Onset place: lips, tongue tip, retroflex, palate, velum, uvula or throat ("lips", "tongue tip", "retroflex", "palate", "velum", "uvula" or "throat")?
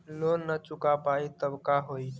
tongue tip